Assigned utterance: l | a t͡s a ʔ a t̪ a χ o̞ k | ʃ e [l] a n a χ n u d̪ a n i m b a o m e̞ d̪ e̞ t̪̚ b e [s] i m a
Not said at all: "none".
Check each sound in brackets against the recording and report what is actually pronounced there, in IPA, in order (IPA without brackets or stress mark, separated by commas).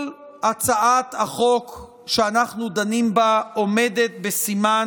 none, s